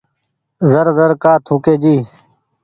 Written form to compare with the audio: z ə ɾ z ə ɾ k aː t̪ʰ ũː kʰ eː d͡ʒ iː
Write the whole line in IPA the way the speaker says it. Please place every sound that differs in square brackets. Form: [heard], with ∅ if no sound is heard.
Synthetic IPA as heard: z ə ɾ z ə ɾ k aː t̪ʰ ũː [k] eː d͡ʒ iː